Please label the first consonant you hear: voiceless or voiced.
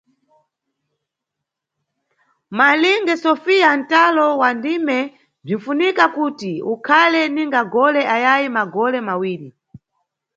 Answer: voiced